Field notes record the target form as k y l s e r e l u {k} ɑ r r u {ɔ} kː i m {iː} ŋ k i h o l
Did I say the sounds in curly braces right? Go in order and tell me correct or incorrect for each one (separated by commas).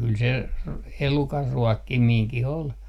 correct, correct, correct